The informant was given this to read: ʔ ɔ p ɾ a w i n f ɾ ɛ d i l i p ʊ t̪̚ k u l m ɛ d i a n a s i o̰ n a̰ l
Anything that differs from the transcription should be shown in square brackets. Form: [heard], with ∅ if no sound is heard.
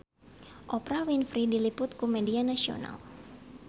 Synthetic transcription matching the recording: ʔ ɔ p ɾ a w i n f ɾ [i] d i l i p ʊ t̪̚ k u [∅] m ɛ d i a n a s i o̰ n a̰ l